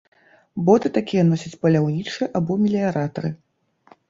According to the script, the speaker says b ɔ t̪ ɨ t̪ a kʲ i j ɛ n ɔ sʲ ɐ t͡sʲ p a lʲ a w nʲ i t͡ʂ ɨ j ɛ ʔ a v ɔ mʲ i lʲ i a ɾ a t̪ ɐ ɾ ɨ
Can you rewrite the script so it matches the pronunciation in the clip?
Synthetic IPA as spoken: b ɔ t̪ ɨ t̪ a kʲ i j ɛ n ɔ sʲ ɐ t͡sʲ p ɐ lʲ a w nʲ i t͡ʂ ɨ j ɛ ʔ a b ɔ mʲ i lʲ i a ɾ a t̪ ɐ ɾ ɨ

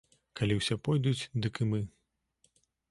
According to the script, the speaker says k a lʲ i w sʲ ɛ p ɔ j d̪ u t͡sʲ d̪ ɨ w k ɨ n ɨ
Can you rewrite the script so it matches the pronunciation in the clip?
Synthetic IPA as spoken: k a lʲ i w sʲ ɛ p ɔ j d̪ u t͡sʲ d̪ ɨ k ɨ m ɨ

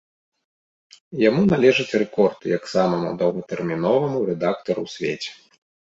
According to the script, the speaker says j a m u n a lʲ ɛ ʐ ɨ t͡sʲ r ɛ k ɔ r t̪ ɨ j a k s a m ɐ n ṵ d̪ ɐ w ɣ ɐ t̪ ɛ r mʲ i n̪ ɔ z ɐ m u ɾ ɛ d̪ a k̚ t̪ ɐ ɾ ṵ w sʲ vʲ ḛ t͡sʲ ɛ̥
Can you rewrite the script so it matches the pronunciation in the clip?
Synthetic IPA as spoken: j a m u n a lʲ ɛ ʐ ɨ t͡sʲ r ɛ k ɔ r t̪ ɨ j a k s a m ɐ m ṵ d̪ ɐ w ɣ ɐ t̪ ɛ r mʲ i n̪ ɔ v ɐ m u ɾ ɛ d̪ a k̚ t̪ ɐ ɾ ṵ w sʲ vʲ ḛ t͡sʲ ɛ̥

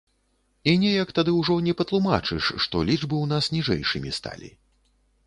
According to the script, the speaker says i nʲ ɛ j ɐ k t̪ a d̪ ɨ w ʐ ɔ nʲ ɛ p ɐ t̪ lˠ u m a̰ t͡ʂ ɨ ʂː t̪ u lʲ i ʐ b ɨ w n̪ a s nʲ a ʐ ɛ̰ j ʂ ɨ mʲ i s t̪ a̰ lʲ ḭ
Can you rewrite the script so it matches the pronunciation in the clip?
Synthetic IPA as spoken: i nʲ ɛ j ɐ k t̪ a d̪ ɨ w ʐ ɔ nʲ ɛ p ɐ t̪ lˠ u m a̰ t͡ʂ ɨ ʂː t̪ ɔ lʲ i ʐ b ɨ w n̪ a s nʲ i ʐ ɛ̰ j ʂ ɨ mʲ i s t̪ a̰ lʲ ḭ

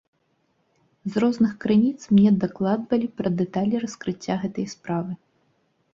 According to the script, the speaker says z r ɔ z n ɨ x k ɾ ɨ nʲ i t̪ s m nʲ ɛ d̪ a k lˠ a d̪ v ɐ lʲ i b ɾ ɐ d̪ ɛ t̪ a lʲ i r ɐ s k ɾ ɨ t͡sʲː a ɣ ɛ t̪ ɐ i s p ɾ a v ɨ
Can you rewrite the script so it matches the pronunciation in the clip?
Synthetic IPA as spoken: z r ɔ z n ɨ x k ɾ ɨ nʲ i t̪ s m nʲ ɛ d̪ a k lˠ a d̪ v ɐ lʲ i p ɾ ɐ d̪ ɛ t̪ a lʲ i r ɐ s k ɾ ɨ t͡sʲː a ɣ ɛ t̪ ɐ j s p ɾ a v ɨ

